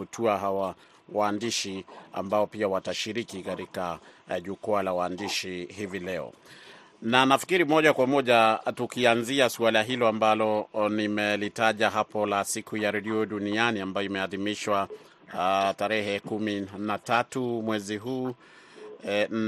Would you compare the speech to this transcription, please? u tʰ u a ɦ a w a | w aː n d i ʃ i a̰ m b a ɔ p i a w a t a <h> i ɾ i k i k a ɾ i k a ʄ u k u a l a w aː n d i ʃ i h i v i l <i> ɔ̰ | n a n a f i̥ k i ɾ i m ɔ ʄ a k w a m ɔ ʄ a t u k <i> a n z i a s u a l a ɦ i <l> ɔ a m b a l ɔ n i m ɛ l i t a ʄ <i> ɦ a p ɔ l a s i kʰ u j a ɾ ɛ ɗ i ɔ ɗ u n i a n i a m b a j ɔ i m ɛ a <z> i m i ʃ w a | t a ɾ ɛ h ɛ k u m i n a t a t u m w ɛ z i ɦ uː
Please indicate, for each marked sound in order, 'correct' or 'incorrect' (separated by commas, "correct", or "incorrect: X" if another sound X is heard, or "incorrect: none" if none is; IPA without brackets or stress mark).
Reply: incorrect: ʃ, incorrect: ɛ, correct, correct, incorrect: a, incorrect: ð